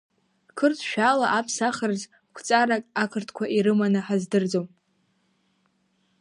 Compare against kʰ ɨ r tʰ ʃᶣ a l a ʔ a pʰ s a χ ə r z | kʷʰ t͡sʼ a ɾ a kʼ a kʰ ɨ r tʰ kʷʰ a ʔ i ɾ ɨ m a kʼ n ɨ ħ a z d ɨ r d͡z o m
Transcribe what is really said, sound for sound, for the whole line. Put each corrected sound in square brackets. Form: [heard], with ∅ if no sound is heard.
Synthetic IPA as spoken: kʰ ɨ r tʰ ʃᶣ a l a ʔ a pʰ s a χ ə r z | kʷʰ t͡sʼ a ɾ a kʼ a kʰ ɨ r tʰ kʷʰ a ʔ i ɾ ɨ m a [∅] n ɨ ħ a z d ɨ r d͡z o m